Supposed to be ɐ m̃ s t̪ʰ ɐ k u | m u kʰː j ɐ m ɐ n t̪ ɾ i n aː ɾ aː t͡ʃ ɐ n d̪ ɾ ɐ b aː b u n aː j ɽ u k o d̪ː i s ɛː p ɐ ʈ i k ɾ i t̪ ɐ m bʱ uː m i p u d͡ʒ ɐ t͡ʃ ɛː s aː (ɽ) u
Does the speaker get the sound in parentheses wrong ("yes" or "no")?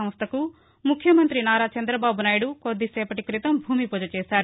yes